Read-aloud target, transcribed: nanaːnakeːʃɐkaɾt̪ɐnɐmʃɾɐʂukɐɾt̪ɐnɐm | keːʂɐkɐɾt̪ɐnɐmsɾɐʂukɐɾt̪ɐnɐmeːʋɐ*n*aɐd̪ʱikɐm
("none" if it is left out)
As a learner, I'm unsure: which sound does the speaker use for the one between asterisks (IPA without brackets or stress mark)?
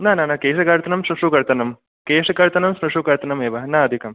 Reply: n